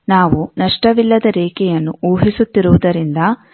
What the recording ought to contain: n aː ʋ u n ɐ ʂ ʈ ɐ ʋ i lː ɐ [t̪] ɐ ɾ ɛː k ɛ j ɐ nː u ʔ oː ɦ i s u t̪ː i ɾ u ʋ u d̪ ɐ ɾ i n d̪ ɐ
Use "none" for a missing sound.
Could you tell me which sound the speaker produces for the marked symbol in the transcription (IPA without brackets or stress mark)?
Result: d̪